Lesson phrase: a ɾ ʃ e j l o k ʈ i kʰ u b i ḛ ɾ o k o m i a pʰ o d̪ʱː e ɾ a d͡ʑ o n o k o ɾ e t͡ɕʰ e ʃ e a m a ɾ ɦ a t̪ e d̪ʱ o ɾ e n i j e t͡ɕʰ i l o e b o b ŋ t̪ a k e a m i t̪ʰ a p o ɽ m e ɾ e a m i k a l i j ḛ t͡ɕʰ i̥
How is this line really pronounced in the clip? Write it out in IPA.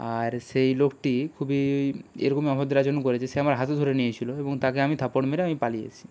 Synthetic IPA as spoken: a ɾ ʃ e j l o k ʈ i kʰ u b i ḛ ɾ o k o m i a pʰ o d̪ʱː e ɾ a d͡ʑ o n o k o ɾ e t͡ɕʰ e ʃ e a m a ɾ ɦ a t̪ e d̪ʱ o ɾ e n i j e t͡ɕʰ i l o e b o ŋ t̪ a k e a m i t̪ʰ a p o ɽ m e ɾ e a m i p a l i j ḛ t͡ɕʰ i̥